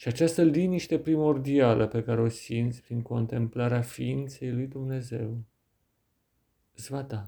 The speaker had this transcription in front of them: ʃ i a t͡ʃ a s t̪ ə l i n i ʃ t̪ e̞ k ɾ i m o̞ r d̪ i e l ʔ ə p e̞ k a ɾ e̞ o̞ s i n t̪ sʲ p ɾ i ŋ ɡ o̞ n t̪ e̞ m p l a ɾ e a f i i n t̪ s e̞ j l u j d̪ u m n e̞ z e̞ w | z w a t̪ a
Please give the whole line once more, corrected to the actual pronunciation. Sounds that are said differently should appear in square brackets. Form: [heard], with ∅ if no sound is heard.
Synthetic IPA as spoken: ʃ i a t͡ʃ a s t̪ ə l i n i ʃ t̪ e̞ [p] ɾ i m o̞ r d̪ i [a] l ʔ ə p e̞ k a ɾ e̞ o̞ s i n t̪ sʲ p ɾ i ŋ [k] o̞ n t̪ e̞ m p l a ɾ e a f i i n t̪ s e̞ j l u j d̪ u m n e̞ z e̞ w | z [v] a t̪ a